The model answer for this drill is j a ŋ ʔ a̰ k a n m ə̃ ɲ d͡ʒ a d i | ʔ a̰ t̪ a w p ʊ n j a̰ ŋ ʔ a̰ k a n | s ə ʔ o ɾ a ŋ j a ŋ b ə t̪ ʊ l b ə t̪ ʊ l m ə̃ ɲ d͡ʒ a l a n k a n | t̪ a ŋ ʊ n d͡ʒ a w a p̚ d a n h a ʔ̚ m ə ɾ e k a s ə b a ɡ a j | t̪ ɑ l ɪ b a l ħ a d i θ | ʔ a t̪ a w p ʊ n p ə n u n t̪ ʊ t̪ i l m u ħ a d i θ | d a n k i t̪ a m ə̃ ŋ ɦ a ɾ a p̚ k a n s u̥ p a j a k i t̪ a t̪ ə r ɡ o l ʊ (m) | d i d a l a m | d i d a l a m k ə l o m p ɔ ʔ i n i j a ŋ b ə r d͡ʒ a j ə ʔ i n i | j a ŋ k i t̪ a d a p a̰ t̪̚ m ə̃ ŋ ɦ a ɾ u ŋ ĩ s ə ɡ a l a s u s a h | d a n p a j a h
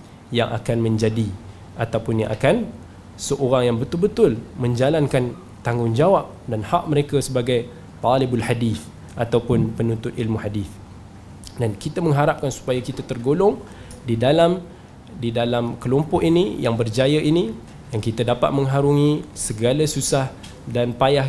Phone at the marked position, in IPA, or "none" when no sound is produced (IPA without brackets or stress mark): ŋ